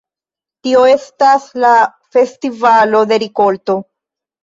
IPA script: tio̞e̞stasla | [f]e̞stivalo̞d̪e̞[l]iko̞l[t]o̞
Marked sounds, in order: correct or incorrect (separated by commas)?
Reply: correct, incorrect, correct